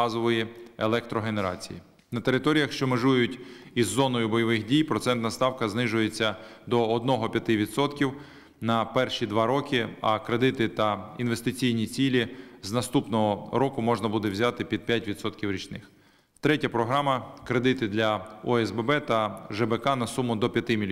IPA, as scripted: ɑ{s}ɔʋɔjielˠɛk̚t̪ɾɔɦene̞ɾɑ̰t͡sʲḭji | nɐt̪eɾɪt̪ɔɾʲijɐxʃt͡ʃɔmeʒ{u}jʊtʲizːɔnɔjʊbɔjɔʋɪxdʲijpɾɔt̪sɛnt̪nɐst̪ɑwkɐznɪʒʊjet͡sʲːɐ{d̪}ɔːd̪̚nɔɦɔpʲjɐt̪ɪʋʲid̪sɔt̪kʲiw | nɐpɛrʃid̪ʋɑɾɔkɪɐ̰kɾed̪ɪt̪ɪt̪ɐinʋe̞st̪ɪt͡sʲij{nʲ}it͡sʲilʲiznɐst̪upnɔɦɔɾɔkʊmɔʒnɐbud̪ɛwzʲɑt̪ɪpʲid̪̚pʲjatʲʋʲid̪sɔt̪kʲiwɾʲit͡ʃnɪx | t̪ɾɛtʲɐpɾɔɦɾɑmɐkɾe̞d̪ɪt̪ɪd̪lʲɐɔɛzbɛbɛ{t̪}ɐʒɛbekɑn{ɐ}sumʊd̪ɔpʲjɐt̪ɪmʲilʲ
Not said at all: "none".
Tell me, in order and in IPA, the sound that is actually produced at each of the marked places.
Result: z, u, d̪, nʲ, t̪, ɐ

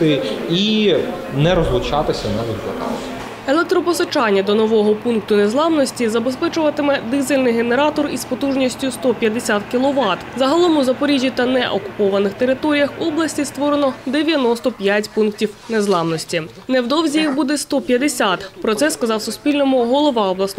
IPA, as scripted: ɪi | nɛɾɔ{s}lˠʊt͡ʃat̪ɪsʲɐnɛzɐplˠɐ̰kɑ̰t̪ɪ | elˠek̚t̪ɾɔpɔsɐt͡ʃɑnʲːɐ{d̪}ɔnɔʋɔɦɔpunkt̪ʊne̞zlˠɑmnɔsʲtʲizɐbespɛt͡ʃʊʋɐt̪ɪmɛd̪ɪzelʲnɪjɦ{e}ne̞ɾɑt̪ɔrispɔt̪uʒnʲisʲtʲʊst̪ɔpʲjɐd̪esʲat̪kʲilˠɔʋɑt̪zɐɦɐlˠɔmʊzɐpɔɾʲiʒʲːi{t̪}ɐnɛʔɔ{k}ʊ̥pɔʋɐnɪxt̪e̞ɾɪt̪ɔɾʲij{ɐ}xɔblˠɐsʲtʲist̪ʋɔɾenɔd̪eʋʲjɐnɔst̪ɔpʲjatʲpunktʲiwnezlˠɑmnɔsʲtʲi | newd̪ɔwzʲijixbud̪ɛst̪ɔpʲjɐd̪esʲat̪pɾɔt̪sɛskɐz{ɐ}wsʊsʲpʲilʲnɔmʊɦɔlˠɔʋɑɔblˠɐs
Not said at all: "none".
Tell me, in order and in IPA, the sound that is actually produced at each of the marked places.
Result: z, d̪, e, t̪, k, ɐ, ɑ

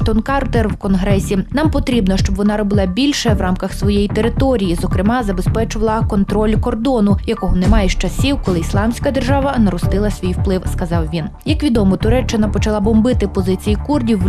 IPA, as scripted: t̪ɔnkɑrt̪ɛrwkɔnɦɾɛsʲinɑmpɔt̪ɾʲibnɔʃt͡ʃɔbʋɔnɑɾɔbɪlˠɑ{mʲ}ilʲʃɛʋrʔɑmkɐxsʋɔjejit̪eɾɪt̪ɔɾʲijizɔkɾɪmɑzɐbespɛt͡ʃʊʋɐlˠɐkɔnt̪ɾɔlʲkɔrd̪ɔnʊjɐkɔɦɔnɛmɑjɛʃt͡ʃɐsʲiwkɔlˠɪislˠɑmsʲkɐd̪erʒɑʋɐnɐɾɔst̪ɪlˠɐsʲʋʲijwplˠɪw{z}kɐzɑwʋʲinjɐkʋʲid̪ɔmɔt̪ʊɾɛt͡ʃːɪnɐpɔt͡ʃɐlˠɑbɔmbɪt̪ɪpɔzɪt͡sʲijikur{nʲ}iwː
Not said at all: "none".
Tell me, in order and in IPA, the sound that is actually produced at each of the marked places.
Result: bʲ, s, dʲ

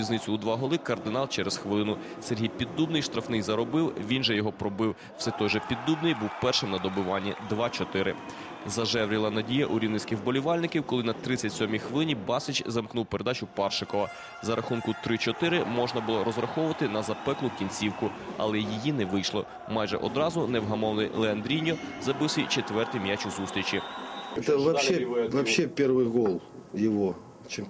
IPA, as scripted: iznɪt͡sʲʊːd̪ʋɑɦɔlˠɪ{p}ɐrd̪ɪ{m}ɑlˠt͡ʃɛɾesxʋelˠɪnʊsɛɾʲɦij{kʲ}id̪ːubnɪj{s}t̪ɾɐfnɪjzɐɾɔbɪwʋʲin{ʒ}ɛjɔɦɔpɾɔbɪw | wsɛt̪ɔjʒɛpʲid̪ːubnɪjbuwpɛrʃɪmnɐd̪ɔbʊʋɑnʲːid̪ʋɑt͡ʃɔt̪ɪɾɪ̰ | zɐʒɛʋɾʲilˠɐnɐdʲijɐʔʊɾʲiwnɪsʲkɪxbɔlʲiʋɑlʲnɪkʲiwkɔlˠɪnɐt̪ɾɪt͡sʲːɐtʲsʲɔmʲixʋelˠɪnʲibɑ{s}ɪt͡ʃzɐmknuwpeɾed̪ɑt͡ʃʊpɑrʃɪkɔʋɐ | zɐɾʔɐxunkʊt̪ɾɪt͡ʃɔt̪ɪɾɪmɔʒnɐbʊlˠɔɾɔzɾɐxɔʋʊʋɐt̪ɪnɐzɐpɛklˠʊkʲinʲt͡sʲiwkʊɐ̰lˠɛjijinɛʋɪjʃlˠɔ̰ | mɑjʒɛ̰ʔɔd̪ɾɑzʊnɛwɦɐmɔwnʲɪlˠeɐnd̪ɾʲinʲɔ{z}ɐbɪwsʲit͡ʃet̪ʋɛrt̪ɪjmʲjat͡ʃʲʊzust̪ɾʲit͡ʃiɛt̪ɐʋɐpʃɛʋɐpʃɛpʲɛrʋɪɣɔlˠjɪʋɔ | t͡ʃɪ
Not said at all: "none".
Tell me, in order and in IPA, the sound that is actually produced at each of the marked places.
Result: k, n, pʲ, ʃ, ʒ, s, z

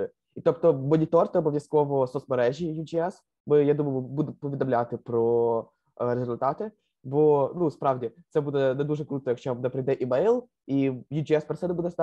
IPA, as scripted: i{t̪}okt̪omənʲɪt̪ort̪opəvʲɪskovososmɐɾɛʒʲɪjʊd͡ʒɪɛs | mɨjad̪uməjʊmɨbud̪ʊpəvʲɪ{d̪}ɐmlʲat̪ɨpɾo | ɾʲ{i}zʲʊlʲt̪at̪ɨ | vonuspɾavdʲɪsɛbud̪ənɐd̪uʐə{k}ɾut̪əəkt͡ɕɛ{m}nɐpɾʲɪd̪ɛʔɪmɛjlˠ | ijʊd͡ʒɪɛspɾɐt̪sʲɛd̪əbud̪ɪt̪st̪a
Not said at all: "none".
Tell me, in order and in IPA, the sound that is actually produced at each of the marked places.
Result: t̪, d̪, ɪ, k, m

